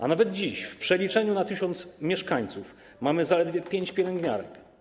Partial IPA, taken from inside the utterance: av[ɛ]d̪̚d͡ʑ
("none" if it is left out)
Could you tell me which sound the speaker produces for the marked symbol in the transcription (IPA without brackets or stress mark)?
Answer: ɛ